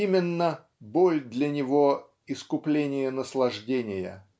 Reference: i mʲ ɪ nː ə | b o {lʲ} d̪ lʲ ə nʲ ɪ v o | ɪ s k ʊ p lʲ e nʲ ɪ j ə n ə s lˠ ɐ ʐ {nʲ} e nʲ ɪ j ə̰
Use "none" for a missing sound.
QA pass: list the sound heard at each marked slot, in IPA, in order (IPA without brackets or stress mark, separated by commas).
lʲ, dʲ